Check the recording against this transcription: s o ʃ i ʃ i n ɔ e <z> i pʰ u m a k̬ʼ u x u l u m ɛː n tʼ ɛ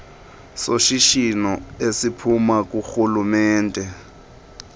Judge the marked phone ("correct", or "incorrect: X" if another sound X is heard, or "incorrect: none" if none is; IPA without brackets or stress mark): incorrect: s